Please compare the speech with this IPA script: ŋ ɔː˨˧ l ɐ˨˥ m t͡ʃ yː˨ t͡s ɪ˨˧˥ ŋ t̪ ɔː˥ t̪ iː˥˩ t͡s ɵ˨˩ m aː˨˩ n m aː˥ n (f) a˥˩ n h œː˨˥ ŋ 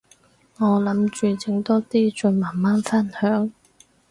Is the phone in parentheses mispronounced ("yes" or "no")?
no